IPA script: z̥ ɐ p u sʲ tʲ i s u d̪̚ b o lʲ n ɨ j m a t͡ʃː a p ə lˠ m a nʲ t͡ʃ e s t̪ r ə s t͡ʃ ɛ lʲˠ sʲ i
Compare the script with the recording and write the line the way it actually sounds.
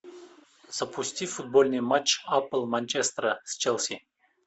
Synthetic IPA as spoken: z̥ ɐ p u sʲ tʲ i f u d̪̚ b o lʲ n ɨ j m a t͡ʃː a p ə lˠ m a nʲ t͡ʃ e s t̪ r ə s t͡ʃ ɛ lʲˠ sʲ i